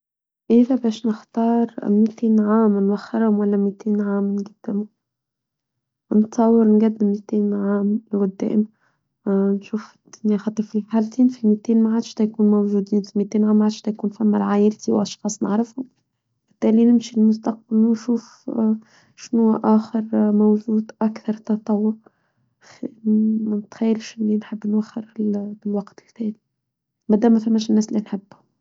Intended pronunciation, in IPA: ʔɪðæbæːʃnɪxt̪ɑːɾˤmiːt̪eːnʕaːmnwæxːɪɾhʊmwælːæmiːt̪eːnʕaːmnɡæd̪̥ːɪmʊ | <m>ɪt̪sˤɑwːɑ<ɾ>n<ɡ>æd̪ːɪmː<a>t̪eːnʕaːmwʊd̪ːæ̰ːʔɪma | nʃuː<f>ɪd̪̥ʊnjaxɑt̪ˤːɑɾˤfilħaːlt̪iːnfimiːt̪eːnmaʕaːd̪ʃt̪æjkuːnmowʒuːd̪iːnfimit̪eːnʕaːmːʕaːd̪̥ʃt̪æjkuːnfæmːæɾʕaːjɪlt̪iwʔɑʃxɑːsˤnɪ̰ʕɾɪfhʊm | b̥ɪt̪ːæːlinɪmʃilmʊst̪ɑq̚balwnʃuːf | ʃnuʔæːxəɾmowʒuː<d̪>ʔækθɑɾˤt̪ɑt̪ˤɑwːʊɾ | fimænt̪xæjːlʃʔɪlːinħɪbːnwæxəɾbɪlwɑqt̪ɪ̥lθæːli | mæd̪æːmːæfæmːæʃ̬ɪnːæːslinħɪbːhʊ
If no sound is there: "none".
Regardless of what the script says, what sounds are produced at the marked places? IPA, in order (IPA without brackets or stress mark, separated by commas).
n, ɾ, ɡ, i, f, d̪